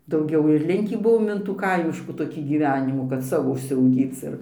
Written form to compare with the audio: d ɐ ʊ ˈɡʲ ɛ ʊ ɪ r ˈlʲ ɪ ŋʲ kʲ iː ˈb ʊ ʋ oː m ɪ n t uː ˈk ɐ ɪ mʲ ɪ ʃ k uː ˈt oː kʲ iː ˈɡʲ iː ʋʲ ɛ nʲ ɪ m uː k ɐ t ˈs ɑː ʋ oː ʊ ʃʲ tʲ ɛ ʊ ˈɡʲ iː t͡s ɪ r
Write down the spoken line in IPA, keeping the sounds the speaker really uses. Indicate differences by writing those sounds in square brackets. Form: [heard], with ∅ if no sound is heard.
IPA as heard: d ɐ ʊ ˈɡʲ ɛ ʊ ɪ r ˈlʲ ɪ ŋʲ kʲ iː ˈb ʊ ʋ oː m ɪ n t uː ˈk ɐ ɪ mʲ ɪ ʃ k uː ˈt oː kʲ iː ˈɡʲ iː ʋʲ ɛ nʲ ɪ m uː k ɐ t ˈs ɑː ʋ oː ʊ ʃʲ [sʲ] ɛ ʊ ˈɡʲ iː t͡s ɪ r